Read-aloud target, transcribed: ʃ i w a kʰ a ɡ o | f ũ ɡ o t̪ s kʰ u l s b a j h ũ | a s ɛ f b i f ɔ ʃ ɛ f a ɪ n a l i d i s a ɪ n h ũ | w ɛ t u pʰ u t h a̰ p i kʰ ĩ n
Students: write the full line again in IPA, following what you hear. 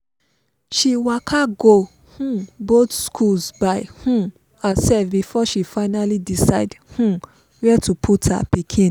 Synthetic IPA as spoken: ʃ i w a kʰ a ɡ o | h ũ b o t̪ s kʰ u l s b a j h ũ | a s ɛ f b i f ɔ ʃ i f a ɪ n a l i d i s a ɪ d h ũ | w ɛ t u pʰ u t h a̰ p i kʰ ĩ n

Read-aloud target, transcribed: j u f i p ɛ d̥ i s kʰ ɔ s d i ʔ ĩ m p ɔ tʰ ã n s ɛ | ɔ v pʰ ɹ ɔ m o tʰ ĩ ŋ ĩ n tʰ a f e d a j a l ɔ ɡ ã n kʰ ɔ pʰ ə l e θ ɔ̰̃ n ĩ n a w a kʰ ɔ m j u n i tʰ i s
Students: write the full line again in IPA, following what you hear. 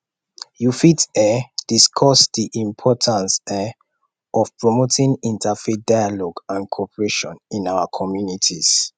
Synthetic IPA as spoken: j u f i t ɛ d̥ i s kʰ ɔ s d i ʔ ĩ m pʰ ɔ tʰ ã n s ɛ | ɔ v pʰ ɹ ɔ m o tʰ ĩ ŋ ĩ n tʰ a f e d a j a l ɔ ɡ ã n kʰ ɔ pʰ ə ɹ e ʃ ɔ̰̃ n ĩ n a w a kʰ ɔ m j u n i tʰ i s

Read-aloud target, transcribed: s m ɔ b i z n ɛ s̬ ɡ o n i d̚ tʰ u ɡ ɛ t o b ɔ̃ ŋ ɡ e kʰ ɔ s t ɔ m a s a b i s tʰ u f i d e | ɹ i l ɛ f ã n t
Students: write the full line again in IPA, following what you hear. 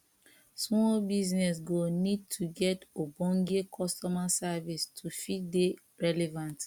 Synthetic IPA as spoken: s m ɔ b i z n ɛ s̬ ɡ o n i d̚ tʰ u ɡ ɛ t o b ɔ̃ ŋ ɡ e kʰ ɔ s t ɔ m a s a v i s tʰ u f i d e | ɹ ɛ l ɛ v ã n t

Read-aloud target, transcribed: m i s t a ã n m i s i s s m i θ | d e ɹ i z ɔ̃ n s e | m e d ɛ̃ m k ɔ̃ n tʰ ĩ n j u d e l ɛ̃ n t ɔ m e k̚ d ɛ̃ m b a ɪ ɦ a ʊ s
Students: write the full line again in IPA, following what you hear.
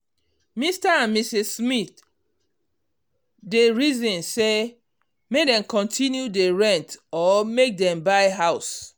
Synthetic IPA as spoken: m i s t a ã n m i s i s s m i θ | d e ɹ i z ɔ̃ n s e | m e d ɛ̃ m k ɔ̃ n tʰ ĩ n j u d e ɹ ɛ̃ n t ɔ m e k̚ d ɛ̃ m b a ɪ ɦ a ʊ s

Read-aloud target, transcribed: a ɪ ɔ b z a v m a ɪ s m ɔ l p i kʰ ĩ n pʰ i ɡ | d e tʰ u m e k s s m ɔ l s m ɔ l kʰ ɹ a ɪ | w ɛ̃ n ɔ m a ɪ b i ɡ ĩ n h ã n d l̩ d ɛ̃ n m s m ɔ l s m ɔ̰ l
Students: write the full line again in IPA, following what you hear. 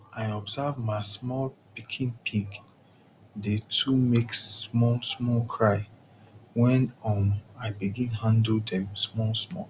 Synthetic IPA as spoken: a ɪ ɔ b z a v m a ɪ s m ɔ l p i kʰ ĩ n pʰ i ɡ | d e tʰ u m e k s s m ɔ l s m ɔ l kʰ ɹ a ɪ | w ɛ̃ n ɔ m a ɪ b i ɡ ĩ n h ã n d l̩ d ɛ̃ m s m ɔ l s m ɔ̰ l

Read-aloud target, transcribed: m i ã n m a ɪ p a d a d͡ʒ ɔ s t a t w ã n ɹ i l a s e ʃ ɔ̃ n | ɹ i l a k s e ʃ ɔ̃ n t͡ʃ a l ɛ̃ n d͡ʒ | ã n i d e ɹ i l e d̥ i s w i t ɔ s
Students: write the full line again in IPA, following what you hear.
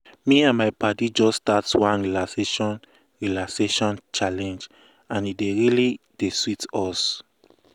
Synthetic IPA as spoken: m i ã n m a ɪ p a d i d͡ʒ ɔ s t a t w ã n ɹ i l a s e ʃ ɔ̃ n | ɹ i l a k s e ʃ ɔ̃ n t͡ʃ a l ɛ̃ n d͡ʒ | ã n i d e ɹ i l i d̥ e s w i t ɔ s

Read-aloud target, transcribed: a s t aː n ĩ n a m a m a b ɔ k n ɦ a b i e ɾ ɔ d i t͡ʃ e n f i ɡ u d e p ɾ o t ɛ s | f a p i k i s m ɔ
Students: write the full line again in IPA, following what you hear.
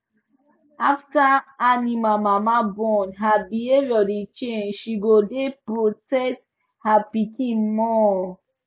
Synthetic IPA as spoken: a f t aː n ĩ m a m a m a b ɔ n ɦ a b i e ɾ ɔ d i t͡ʃ e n ʃ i ɡ o d e p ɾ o t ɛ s | h a p i k i m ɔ

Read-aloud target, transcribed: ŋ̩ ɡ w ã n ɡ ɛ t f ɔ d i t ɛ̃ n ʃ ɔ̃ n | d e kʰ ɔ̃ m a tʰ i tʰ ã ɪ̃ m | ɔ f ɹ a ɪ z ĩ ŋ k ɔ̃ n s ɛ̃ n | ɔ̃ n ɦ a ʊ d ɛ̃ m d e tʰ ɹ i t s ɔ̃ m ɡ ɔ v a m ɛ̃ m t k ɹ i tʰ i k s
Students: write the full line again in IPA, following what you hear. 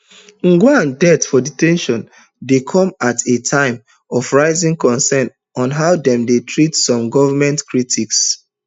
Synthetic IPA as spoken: ŋ̩ ɡ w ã n d ɛ t f ɔ d i t ɛ̃ n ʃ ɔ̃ n | d e kʰ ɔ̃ m a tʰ e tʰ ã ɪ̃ m | ɔ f ɹ a ɪ z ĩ ŋ k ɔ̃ n s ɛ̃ n | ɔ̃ n ɦ a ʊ d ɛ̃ m d e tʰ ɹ i t s ɔ̃ m ɡ ɔ v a m ɛ̃ n t k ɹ i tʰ i k s

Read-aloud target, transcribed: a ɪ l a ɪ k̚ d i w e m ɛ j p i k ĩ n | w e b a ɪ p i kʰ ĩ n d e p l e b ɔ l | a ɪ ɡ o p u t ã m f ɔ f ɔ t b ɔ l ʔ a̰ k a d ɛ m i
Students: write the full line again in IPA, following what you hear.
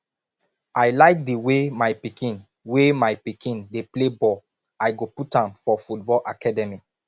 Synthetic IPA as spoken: a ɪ l a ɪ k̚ d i w e m a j p i k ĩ n | w e m a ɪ p i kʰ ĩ n d e p l e b ɔ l | a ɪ ɡ o p u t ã m f ɔ f u t b ɔ l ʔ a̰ k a d ɛ m i

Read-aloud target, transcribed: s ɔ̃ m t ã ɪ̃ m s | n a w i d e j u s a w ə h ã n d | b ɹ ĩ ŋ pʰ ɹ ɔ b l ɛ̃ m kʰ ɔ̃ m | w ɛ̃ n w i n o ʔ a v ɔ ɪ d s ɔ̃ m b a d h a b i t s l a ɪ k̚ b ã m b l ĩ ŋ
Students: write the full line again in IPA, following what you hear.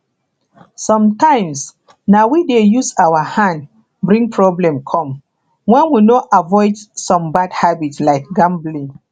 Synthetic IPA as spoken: s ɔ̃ m t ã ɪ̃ m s | n a w i d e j u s a w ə h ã n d | b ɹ ĩ ŋ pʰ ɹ ɔ b l ɛ̃ m kʰ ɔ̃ m | w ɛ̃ n w i n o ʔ a v ɔ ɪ d s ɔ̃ m b a d h a b i t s l a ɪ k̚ ɡ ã m b l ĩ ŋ

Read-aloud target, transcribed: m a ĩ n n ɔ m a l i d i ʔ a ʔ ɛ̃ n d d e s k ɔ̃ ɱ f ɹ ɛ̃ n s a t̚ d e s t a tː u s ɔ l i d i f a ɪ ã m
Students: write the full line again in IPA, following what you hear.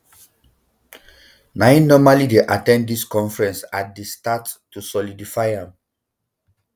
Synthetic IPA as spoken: n a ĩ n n ɔ m a l i d e ʔ a t ɛ̃ n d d i s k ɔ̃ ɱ f ɹ ɛ̃ n s a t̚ d e s t a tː u s ɔ l i d i f a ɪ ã m

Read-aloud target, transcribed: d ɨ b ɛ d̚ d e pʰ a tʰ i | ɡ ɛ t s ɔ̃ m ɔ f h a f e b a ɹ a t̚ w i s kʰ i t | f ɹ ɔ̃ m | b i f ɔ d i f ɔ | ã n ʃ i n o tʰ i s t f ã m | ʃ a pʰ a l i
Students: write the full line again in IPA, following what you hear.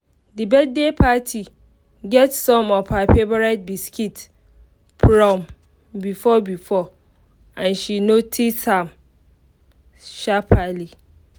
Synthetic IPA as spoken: d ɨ b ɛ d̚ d e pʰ a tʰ i | ɡ ɛ t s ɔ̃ m ɔ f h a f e b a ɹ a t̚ b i s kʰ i t | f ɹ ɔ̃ m | b i f ɔ b i f ɔ | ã n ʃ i n o tʰ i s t h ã m | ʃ a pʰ a l i

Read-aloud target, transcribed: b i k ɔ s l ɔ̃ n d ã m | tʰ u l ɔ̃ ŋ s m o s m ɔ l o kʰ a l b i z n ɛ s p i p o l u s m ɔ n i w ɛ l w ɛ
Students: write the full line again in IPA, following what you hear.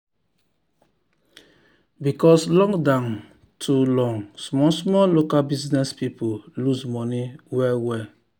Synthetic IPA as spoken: b i k ɔ s l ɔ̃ ŋ d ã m | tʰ u l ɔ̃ ŋ s m ɔ s m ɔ l o k a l b i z n ɛ s p i p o l u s m ɔ n i w ɛ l w ɛ

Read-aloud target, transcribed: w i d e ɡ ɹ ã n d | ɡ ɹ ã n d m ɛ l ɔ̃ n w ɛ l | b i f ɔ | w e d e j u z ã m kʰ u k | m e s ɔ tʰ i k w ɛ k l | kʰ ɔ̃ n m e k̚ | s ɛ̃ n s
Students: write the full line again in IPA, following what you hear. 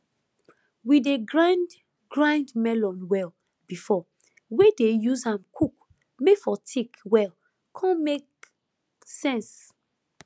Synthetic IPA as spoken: w i d e ɡ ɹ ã n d | ɡ ɹ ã n d m ɛ l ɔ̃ n w ɛ l | b i f ɔ | w e d e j u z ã m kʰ u k | m e f ɔ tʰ i k w ɛ l | kʰ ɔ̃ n m e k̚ | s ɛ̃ n s

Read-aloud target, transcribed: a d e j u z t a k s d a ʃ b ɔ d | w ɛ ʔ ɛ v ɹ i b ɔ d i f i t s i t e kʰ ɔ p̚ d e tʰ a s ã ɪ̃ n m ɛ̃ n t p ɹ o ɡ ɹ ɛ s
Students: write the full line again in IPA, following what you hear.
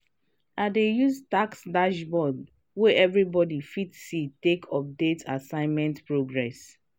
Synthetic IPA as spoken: a d e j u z t a k s d a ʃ b ɔ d | w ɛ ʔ ɛ v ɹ i b ɔ d i f i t s i t e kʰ ɔ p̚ d e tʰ a s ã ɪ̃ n m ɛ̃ n t p ɹ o ɡ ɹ ɛ s

